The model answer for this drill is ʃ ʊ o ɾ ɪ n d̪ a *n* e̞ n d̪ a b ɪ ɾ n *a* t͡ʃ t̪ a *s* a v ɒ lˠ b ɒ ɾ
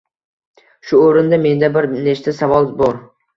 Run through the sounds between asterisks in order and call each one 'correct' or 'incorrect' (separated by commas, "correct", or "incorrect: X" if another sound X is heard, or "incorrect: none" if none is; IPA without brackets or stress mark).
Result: incorrect: m, incorrect: e, correct